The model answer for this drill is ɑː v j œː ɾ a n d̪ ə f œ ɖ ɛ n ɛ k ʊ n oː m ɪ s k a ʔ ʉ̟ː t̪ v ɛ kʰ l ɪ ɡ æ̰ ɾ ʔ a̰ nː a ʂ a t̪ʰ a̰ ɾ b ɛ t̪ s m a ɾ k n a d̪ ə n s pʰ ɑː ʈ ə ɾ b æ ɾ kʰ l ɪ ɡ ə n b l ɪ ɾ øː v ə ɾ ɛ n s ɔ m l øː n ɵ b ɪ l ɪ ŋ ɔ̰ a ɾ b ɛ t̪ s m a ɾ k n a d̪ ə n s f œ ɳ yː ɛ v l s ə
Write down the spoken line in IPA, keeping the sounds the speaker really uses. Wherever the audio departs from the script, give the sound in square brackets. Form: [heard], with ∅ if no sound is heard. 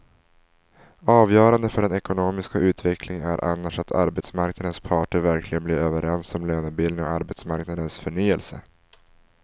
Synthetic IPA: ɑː v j œː ɾ a n d̪ ə f œ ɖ ɛ n ɛ k ʊ n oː m ɪ s k a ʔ ʉ̟ː t̪ v ɛ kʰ l ɪ [ŋ] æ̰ ɾ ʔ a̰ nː a ʂ a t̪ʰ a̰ ɾ b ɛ t̪ s m a ɾ k n a d̪ ə n s pʰ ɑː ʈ ə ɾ [v] æ ɾ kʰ l ɪ ɡ ə n b l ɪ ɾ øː v ə ɾ ɛ n s ɔ m l øː n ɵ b ɪ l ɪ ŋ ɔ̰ a ɾ b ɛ t̪ s m a ɾ k n a d̪ ə n s f œ ɳ yː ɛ [∅] l s ə